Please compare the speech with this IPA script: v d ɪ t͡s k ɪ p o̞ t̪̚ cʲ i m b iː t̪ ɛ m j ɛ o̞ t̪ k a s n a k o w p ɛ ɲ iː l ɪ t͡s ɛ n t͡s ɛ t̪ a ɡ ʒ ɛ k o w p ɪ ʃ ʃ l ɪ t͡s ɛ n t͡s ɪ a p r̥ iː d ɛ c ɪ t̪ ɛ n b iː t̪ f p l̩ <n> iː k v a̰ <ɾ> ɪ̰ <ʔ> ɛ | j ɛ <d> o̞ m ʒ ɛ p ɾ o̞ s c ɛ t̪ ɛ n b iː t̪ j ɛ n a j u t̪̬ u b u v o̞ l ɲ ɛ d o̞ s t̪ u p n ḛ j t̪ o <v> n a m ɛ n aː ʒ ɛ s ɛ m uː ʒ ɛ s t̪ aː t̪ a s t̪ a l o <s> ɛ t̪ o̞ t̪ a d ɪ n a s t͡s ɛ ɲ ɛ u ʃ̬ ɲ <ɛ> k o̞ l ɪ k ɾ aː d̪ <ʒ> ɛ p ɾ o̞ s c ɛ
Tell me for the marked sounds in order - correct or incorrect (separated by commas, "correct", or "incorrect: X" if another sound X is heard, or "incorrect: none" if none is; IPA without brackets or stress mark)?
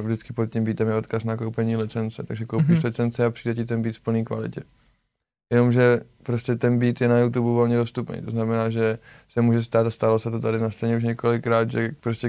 correct, incorrect: l, incorrect: c, incorrect: n, incorrect: z, correct, correct, correct